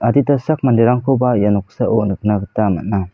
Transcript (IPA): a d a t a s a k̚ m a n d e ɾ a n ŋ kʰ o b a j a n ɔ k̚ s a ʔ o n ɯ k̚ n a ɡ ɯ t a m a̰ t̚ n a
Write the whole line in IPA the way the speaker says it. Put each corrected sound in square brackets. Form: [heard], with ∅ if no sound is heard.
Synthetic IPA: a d [i] t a s a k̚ m a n d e ɾ a [∅] ŋ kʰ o b a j a n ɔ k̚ s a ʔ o n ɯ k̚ n a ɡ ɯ t a m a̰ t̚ n a